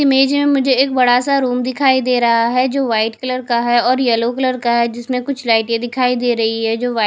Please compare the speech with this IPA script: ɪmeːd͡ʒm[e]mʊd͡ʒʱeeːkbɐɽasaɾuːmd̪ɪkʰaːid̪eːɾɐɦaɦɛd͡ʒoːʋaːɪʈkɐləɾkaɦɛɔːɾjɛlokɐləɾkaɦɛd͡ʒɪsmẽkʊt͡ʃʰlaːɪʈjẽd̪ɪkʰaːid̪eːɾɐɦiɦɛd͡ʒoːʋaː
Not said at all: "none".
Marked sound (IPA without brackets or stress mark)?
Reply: ẽ